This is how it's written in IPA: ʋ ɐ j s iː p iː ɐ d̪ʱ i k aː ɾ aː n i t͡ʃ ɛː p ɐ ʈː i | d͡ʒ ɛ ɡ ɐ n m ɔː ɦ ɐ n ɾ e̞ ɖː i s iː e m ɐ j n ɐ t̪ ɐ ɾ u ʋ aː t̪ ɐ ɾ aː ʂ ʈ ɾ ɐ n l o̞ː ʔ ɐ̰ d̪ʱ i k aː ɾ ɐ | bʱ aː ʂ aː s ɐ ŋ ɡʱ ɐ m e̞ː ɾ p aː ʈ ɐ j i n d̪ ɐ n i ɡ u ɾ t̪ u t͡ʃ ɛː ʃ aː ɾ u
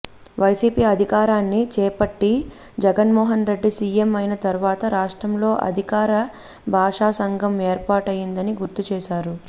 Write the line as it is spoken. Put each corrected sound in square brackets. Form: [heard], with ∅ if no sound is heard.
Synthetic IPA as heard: ʋ ɐ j s iː p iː ɐ d̪ʱ i k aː ɾ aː [nː] i t͡ʃ ɛː p ɐ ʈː i | d͡ʒ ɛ ɡ ɐ n m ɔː ɦ ɐ n ɾ e̞ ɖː i s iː e m ɐ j n ɐ t̪ ɐ ɾ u ʋ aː t̪ ɐ ɾ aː ʂ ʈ ɾ ɐ [m] l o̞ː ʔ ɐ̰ d̪ʱ i k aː ɾ ɐ | bʱ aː ʂ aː s ɐ ŋ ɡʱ ɐ m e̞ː ɾ p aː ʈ ɐ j i n d̪ ɐ n i ɡ u ɾ t̪ u t͡ʃ ɛː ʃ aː ɾ u